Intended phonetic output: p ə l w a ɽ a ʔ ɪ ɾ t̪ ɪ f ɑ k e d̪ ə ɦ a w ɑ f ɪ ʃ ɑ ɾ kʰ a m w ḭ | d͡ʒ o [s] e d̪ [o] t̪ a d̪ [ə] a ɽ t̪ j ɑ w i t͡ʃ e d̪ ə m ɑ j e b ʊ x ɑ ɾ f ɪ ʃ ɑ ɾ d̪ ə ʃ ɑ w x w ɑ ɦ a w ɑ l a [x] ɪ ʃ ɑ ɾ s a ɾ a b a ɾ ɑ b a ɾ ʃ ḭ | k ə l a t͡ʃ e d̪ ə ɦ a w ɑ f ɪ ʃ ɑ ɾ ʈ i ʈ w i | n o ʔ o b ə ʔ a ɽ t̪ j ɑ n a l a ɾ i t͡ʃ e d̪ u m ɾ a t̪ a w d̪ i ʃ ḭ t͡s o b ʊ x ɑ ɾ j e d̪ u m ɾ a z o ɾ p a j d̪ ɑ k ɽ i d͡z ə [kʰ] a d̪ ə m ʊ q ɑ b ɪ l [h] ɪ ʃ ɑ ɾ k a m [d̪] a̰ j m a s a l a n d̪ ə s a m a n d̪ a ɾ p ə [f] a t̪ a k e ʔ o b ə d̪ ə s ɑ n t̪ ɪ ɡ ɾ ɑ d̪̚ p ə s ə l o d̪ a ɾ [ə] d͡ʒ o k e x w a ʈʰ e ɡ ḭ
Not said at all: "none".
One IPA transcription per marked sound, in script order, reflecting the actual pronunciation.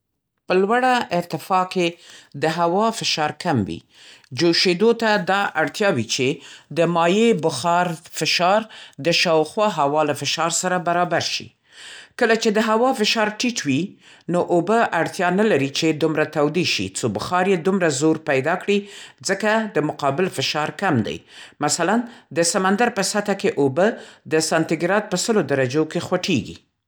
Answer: ʃ, o, ɑ, f, k, f, d̪, s, a

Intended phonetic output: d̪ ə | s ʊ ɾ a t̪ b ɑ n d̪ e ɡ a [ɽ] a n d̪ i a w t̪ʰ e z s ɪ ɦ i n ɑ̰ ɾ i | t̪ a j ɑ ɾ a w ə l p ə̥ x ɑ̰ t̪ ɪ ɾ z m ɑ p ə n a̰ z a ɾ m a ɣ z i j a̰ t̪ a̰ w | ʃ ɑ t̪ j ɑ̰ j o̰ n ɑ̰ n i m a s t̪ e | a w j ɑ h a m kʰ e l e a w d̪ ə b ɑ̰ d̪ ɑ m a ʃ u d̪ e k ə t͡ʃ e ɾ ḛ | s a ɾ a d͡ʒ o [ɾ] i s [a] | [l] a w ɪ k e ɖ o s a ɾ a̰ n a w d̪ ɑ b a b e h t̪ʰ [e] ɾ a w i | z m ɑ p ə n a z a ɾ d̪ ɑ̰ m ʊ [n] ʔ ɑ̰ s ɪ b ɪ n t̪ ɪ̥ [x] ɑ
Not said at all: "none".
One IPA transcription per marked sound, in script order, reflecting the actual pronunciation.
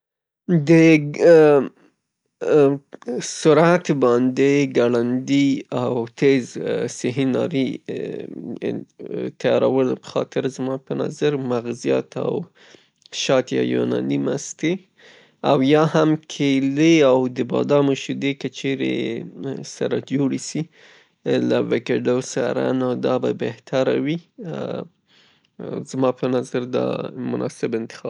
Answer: ɽ, ɽ, i, l, a, n, x

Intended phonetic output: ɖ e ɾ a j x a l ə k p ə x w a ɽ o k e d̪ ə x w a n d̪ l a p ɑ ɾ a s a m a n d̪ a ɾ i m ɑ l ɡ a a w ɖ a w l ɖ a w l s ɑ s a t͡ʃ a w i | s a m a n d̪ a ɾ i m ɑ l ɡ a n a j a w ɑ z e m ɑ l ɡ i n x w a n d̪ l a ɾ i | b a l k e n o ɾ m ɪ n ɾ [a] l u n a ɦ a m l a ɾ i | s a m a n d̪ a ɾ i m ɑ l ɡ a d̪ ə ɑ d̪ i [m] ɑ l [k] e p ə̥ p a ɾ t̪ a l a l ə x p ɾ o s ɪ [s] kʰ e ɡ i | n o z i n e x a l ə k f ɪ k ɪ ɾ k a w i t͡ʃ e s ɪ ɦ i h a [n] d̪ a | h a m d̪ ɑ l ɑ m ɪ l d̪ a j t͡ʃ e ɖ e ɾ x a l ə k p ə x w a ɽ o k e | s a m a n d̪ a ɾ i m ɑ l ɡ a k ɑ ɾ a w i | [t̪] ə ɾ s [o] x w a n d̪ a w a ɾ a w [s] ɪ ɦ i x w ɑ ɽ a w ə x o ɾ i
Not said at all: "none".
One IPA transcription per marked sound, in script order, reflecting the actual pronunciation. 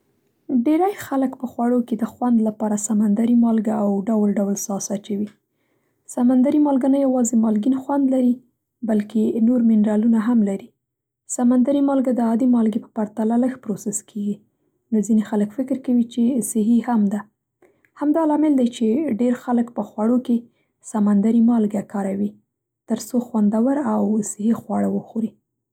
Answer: ɑ, m, ɡ, s, m, t̪, o, s

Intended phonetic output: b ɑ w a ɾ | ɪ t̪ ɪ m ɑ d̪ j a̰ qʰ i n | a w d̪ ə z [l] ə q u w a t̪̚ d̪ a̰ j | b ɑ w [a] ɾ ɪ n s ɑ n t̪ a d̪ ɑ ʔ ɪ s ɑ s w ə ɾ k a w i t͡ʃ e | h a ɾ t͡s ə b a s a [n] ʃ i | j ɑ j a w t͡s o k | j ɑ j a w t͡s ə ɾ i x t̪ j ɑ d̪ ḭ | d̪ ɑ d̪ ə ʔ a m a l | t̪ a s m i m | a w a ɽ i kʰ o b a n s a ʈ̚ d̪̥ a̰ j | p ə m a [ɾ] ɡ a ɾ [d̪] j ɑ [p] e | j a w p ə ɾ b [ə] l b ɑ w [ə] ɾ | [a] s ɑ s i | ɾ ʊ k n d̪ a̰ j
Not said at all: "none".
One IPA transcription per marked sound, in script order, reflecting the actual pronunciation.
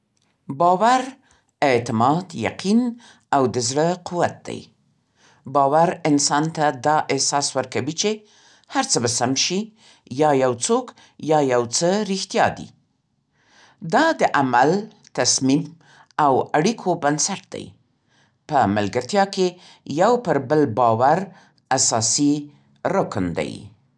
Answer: ɽ, a, m, l, t̪, k, ə, a, a

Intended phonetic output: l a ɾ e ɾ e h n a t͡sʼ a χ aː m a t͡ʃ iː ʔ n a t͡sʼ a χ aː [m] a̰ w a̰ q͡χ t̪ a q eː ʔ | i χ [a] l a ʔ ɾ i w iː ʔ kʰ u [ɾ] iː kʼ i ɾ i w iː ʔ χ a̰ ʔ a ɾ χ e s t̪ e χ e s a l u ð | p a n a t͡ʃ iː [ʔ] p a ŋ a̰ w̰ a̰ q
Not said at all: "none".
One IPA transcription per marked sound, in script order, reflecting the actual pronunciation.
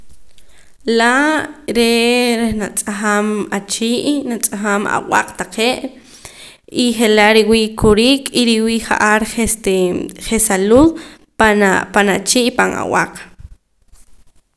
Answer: m, e, ɾ, ʔ

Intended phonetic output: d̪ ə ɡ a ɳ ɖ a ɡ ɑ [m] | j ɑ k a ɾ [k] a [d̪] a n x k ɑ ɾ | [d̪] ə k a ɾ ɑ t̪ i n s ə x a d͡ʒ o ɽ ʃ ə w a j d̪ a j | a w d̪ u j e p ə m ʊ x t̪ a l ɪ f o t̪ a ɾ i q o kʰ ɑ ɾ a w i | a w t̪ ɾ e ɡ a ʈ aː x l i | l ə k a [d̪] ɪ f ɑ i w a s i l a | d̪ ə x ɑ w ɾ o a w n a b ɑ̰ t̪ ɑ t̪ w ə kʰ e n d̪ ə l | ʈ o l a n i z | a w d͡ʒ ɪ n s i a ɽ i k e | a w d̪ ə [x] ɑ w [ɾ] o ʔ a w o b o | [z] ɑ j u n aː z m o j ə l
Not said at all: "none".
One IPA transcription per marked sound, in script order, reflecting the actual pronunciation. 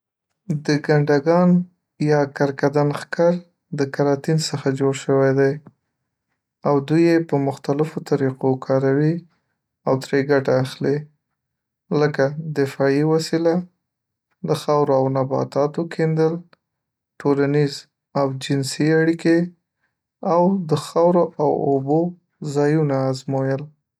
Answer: n, k, d̪, d̪, d̪, x, ɾ, z

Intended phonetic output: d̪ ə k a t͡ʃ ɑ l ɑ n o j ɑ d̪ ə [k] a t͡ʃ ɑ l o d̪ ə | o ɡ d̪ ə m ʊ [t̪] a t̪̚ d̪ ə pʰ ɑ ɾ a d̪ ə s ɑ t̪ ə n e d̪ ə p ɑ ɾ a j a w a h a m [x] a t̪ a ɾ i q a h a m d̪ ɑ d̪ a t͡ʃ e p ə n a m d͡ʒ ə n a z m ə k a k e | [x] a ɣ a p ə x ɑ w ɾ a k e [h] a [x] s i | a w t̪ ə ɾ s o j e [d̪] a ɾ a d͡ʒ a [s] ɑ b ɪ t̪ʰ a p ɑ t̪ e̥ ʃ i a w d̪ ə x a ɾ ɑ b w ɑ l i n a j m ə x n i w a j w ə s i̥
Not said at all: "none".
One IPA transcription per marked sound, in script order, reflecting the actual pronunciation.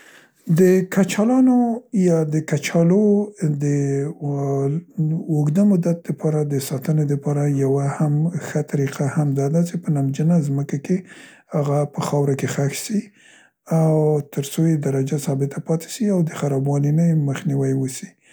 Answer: k, d̪, x, h, x, x, d̪, s

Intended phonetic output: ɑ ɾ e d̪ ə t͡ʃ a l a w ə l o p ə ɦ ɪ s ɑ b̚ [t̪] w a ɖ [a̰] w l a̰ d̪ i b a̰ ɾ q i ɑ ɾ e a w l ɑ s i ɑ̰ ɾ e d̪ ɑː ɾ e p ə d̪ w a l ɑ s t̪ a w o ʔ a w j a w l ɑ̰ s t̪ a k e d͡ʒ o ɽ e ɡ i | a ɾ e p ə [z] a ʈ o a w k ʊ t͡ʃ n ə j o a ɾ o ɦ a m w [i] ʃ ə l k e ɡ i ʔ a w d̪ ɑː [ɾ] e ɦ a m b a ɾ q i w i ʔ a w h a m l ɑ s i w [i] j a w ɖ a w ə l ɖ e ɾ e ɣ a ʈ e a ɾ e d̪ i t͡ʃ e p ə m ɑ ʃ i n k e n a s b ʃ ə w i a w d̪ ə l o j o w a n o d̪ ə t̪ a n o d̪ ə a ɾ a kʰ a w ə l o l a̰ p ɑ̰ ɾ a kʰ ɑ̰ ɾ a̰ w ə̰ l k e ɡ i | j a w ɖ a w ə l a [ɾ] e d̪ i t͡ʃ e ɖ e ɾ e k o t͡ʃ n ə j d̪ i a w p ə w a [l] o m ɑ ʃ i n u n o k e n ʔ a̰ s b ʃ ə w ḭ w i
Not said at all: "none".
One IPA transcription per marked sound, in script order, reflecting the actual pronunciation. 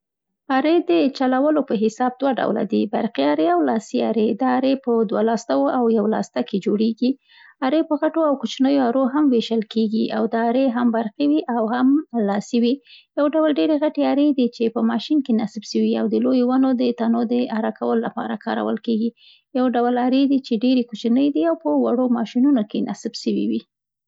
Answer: d̪, a̰, ɣ, e, ɾ, i, ɾ, ɽ

